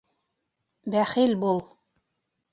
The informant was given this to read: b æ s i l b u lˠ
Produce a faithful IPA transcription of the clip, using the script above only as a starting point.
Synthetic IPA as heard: b æ χ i l b u lˠ